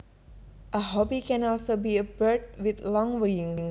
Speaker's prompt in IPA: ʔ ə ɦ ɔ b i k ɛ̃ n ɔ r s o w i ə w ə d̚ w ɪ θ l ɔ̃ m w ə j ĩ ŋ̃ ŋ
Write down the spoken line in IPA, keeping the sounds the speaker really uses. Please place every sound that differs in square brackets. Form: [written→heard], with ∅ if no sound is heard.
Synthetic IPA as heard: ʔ ə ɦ ɔ b i k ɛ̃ n ɔ [r→l] s o [w→b] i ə [w→b] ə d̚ w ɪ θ l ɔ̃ [m→ŋ] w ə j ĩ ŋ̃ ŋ